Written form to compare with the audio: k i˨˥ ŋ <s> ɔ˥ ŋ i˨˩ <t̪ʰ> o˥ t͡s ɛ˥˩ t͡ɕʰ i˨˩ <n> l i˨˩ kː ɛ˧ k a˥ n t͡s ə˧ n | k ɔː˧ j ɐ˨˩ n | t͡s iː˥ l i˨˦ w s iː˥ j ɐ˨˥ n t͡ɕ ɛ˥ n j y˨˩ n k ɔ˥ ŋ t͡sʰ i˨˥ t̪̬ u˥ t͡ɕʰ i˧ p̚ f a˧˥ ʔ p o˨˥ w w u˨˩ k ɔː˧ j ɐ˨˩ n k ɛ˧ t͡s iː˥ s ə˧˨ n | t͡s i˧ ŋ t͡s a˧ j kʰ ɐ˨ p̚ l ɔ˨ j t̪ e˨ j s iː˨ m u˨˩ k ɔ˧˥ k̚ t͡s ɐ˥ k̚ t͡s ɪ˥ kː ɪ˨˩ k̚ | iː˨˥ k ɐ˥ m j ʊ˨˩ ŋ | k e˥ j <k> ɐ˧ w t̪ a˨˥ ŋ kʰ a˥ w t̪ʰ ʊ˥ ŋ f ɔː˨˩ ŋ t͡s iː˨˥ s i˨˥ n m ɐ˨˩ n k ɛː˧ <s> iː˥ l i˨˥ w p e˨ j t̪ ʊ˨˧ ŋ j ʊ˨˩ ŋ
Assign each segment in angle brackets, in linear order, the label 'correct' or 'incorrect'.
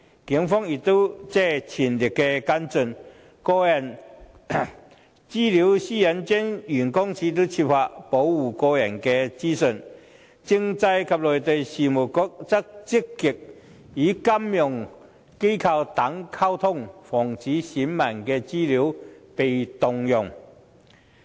incorrect, incorrect, correct, incorrect, incorrect

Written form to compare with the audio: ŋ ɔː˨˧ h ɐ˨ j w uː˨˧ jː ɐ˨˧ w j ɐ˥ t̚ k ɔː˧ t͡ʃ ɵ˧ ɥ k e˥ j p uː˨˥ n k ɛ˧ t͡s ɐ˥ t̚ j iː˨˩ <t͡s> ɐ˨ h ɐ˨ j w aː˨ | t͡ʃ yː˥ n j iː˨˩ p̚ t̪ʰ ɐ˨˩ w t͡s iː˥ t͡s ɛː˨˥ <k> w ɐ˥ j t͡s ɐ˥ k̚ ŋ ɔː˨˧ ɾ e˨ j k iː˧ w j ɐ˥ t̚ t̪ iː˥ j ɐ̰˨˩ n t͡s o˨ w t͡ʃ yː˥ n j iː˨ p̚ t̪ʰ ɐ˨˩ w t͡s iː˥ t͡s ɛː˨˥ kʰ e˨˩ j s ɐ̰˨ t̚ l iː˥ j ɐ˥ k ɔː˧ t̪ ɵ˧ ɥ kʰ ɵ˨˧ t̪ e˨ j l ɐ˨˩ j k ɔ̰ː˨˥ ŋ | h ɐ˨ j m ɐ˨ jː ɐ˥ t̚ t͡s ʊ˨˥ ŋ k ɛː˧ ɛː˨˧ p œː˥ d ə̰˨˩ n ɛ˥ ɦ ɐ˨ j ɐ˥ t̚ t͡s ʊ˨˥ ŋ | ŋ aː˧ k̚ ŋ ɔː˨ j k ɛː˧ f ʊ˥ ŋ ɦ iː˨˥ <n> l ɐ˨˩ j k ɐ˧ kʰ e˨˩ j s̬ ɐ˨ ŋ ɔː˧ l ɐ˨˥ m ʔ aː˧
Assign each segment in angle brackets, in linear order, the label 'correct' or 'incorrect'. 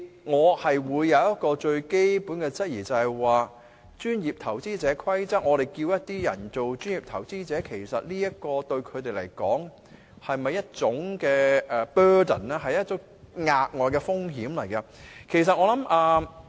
correct, incorrect, incorrect

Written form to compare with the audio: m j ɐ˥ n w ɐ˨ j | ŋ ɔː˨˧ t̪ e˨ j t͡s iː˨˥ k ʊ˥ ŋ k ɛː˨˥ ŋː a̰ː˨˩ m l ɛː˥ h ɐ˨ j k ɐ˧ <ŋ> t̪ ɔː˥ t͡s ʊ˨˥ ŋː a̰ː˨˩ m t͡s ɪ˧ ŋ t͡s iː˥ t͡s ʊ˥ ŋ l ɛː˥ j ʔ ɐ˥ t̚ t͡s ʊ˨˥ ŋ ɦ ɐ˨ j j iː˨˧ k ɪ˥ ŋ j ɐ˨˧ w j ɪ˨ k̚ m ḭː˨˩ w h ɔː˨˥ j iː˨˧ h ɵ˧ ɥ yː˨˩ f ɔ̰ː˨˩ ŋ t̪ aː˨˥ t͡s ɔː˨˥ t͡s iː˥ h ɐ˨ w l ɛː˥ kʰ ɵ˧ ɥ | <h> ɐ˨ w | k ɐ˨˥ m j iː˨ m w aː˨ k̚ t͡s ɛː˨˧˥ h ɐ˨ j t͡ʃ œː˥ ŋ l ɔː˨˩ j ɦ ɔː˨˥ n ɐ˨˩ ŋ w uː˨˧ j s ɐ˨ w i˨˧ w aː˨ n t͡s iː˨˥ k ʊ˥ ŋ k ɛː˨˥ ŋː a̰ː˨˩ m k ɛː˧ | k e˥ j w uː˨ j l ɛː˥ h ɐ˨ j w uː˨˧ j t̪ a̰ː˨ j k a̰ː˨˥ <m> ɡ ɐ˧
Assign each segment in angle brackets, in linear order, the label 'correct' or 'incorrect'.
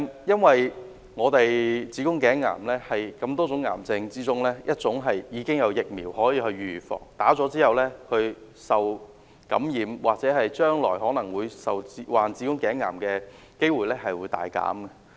incorrect, incorrect, correct

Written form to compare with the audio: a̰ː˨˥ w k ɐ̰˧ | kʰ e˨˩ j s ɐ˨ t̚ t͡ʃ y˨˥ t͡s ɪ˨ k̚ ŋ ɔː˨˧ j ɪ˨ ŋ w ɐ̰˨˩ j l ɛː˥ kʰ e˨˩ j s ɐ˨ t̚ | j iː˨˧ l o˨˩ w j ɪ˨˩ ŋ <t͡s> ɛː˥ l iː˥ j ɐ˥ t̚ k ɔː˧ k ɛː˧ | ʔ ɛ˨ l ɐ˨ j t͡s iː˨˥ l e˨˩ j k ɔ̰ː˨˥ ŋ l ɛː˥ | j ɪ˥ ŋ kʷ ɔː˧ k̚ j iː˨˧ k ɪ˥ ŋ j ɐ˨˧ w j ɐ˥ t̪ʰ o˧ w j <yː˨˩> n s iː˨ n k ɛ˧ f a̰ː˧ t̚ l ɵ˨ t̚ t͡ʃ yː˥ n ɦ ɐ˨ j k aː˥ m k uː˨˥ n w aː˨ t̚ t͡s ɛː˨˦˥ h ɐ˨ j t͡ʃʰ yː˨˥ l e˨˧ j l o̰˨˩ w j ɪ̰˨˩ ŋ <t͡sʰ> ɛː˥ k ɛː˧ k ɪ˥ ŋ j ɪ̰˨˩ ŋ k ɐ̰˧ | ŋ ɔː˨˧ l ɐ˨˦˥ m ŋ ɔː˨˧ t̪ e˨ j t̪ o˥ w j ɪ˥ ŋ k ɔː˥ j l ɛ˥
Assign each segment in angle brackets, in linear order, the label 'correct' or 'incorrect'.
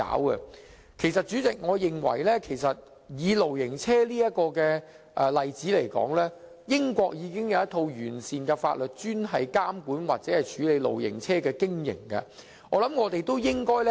incorrect, correct, correct

